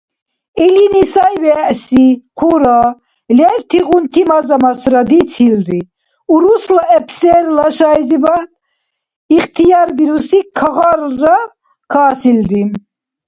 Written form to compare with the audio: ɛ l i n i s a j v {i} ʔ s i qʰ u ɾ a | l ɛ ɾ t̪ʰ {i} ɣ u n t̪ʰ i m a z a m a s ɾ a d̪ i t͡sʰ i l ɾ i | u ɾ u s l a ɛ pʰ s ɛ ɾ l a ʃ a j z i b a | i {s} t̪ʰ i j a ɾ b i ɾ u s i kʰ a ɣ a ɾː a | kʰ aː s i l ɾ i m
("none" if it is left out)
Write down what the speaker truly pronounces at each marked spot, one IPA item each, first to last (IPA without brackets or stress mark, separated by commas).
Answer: ɛ, i, χ